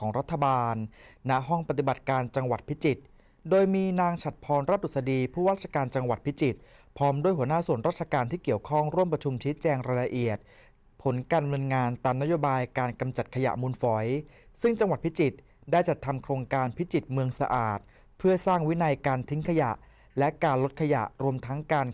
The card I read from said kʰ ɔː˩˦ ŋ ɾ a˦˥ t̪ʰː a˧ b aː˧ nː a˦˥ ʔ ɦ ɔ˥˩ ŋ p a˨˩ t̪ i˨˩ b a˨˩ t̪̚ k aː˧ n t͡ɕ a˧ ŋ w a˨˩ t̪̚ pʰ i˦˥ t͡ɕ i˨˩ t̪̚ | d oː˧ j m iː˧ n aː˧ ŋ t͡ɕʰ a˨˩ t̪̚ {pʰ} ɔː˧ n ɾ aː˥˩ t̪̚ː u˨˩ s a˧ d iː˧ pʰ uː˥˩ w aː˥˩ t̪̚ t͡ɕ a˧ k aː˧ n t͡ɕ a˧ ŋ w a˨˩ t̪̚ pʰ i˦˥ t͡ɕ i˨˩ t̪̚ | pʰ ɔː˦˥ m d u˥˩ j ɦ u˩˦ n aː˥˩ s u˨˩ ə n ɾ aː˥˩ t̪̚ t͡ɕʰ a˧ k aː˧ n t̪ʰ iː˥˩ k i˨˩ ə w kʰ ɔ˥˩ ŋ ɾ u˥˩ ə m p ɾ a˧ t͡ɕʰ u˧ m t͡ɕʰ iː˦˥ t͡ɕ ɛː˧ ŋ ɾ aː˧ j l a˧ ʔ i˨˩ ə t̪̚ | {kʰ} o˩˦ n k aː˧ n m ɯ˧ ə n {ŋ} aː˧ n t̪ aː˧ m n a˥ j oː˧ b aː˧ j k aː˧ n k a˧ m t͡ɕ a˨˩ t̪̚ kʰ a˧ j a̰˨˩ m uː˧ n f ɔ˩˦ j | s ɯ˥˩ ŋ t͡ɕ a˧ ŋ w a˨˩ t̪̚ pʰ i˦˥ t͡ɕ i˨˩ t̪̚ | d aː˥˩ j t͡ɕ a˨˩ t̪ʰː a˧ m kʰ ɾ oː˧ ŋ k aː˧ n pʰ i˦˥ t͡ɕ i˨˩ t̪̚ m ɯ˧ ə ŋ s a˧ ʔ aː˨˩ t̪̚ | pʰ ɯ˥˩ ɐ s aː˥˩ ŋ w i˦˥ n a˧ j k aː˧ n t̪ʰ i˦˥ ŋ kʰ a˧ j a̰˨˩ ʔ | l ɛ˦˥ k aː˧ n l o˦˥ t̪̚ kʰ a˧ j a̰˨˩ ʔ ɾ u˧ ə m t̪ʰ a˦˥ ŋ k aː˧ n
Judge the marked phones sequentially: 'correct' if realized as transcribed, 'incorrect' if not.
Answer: correct, incorrect: pʰ, correct

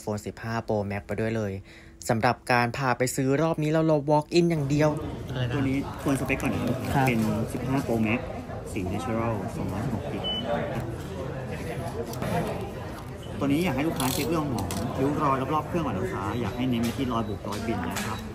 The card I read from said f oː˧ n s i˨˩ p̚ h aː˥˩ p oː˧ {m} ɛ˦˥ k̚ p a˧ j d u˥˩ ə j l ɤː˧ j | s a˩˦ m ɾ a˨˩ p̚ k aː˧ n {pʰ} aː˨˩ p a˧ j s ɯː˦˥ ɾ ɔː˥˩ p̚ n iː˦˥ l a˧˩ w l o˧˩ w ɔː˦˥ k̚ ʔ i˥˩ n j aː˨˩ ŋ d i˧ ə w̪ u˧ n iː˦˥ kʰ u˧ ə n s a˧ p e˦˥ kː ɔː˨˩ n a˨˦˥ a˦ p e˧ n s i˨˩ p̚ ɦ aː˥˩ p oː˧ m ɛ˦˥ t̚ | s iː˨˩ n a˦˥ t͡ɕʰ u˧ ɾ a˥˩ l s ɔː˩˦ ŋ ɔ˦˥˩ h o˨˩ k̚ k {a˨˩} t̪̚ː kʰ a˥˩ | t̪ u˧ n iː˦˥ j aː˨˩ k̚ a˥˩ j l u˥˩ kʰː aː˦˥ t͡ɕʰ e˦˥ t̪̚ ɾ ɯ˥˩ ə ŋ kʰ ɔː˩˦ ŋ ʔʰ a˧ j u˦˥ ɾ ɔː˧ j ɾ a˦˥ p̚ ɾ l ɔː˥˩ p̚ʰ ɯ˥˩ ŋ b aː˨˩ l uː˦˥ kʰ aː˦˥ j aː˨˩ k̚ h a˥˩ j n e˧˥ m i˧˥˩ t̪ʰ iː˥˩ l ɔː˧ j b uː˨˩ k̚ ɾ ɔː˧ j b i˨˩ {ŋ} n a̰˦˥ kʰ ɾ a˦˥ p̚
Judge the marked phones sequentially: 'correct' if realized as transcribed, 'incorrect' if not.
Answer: correct, correct, incorrect: i˨˩, incorrect: n

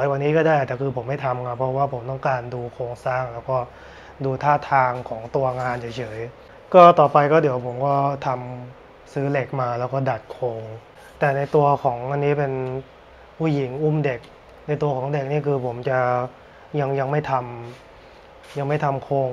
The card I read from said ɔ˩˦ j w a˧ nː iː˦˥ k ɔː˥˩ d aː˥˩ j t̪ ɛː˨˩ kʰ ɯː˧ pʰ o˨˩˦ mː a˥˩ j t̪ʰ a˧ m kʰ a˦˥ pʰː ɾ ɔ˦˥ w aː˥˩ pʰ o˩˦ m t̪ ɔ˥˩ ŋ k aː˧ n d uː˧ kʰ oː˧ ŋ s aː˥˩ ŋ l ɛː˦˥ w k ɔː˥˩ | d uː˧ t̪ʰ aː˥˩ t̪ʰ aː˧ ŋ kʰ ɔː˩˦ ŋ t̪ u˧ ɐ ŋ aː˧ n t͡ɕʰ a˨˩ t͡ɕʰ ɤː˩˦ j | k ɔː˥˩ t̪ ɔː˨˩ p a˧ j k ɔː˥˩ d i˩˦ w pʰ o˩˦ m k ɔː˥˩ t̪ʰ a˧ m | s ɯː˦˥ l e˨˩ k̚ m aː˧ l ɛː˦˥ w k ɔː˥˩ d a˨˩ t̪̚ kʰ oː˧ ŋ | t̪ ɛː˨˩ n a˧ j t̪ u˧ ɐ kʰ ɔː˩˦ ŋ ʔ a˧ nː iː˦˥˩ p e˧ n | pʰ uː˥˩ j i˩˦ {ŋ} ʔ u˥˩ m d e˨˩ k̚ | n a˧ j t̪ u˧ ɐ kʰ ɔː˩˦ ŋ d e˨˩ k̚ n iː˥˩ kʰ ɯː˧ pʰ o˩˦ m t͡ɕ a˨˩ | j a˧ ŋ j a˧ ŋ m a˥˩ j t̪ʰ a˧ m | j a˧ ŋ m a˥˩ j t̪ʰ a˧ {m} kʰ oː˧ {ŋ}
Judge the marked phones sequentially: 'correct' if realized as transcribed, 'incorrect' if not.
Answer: correct, correct, correct

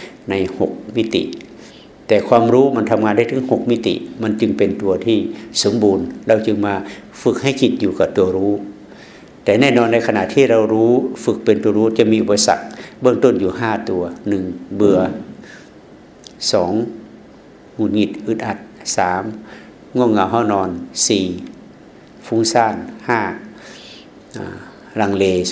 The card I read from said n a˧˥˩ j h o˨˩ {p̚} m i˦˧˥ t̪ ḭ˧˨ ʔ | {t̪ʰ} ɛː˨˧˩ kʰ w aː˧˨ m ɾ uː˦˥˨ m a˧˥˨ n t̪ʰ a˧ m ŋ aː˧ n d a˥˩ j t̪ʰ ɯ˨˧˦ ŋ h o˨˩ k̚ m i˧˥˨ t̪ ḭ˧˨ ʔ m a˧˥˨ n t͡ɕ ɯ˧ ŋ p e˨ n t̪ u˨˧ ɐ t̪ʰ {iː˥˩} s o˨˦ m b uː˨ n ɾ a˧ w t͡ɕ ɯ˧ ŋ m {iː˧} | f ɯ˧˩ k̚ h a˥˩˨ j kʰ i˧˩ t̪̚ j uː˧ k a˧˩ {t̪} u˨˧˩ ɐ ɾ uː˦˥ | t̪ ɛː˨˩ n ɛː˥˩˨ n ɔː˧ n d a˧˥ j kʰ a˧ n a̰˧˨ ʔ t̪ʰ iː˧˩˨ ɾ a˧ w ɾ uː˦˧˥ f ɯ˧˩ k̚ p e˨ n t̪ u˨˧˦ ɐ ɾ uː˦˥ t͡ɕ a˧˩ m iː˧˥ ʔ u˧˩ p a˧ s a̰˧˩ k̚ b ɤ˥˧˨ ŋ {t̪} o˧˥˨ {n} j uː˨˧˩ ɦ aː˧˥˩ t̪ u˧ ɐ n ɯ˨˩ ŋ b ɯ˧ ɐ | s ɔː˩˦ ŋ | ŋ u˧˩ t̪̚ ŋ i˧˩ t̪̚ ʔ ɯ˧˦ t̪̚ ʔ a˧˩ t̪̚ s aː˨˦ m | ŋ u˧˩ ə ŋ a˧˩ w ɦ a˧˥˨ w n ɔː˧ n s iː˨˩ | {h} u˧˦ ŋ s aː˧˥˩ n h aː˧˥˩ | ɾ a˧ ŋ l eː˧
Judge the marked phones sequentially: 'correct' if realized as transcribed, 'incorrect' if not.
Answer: incorrect: k̚, incorrect: t̪, incorrect: iː˧˩, incorrect: aː˧, correct, correct, correct, incorrect: f

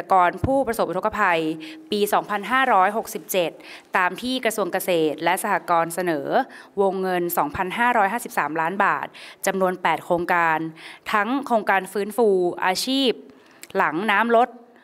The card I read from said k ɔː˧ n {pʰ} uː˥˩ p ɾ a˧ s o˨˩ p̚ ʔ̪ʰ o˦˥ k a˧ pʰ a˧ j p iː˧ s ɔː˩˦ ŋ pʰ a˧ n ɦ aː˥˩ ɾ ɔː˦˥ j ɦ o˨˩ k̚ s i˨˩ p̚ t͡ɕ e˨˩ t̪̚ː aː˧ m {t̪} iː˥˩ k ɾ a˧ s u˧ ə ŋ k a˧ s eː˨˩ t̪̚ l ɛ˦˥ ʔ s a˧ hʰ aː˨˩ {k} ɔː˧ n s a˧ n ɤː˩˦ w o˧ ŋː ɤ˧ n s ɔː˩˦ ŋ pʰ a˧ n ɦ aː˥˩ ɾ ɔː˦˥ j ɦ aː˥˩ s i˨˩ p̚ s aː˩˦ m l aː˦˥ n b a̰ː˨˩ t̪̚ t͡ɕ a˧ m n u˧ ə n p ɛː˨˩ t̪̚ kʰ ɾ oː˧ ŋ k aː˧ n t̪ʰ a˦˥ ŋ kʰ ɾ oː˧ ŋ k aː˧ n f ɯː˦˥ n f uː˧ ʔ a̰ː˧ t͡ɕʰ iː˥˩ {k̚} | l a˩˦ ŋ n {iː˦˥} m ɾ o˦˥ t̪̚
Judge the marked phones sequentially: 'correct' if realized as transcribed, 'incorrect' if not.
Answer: correct, incorrect: t̪ʰ, correct, incorrect: p̚, incorrect: aː˦˥

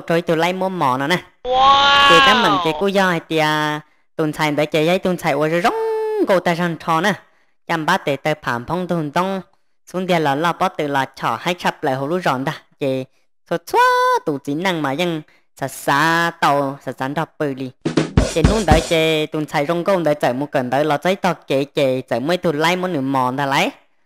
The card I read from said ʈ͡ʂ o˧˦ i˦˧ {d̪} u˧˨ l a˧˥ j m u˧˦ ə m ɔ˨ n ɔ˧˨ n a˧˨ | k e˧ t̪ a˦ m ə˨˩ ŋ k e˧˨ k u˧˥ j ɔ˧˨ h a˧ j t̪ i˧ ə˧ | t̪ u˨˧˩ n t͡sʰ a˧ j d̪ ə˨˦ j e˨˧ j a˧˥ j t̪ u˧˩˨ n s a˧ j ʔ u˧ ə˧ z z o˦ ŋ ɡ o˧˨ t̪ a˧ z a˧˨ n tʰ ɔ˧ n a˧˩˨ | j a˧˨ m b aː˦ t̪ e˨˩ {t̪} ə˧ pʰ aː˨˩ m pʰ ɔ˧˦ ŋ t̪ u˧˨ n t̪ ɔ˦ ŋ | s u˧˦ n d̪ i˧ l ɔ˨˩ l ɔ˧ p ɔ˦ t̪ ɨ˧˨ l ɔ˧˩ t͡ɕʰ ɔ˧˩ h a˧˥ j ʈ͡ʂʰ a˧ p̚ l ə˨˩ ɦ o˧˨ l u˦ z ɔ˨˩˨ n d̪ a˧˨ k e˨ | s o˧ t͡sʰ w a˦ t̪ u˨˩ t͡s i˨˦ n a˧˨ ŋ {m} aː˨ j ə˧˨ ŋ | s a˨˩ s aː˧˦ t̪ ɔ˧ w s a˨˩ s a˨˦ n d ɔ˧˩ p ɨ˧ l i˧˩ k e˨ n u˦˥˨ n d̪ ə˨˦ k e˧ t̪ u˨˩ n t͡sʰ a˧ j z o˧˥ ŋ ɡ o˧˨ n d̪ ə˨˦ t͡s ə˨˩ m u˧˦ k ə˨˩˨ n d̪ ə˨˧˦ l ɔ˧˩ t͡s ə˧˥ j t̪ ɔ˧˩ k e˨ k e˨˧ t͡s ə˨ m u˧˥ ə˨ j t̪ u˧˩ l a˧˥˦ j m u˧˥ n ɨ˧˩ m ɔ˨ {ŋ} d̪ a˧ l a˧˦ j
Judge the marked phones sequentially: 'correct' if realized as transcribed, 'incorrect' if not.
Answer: incorrect: t̪, correct, correct, incorrect: n

